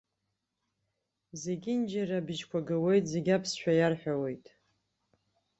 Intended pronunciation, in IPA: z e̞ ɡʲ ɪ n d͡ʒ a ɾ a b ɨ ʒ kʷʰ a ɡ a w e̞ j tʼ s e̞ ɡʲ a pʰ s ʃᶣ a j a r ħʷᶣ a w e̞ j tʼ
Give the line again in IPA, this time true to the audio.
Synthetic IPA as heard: z e̞ ɡʲ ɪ n d͡ʒ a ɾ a b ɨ ʒ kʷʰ a ɡ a w e̞ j tʼ z e̞ ɡʲ a pʰ s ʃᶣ a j a r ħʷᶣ a w e̞ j tʼ